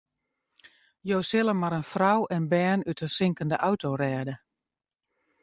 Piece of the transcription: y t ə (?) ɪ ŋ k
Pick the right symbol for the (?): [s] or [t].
s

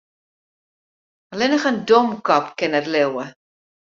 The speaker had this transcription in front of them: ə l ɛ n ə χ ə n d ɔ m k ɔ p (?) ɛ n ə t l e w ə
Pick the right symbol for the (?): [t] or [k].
k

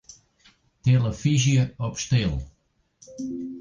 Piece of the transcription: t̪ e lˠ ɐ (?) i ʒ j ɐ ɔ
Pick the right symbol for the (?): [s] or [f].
f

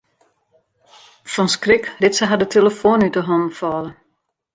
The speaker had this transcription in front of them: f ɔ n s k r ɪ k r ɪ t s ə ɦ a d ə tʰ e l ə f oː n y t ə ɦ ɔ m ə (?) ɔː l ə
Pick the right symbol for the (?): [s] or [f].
f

